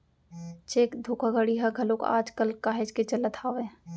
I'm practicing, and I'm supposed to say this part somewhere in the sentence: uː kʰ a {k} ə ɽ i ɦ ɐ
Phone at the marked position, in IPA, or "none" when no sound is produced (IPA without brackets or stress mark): ɡ